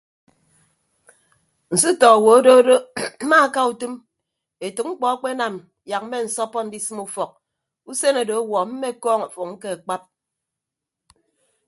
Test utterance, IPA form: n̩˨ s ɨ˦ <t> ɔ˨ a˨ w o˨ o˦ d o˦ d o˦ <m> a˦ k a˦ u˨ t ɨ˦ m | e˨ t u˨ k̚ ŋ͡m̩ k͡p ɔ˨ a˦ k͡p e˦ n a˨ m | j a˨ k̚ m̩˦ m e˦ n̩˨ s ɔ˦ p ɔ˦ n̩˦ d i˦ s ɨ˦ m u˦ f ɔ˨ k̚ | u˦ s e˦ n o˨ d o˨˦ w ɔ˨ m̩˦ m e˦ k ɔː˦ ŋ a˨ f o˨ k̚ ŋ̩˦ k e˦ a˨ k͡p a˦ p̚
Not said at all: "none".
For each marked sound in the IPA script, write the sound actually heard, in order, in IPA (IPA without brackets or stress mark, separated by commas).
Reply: t, m